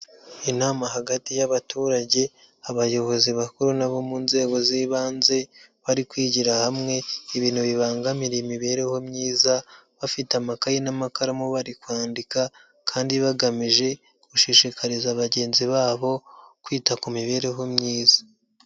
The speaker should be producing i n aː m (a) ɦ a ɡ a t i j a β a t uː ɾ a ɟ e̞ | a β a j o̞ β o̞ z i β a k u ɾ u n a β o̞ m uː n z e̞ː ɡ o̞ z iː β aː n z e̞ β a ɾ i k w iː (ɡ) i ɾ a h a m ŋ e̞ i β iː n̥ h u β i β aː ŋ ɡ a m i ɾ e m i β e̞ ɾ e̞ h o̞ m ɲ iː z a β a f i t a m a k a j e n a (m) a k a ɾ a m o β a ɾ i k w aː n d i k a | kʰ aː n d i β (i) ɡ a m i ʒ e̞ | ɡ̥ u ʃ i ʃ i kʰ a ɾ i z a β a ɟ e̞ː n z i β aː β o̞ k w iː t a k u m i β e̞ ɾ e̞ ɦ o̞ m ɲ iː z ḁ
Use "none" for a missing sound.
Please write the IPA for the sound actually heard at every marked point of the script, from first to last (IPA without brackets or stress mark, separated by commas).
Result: a, ɟ, m, a